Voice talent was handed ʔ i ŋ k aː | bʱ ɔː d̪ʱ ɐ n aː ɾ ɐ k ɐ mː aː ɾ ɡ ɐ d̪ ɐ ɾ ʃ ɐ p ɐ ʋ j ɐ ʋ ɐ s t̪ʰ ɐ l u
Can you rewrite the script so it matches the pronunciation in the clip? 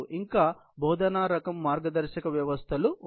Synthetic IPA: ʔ i ŋ k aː | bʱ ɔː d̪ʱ ɐ n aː ɾ ɐ k ɐ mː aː ɾ ɡ ɐ d̪ ɐ ɾ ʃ ɐ k ɐ ʋ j ɐ ʋ ɐ s t̪ʰ ɐ l u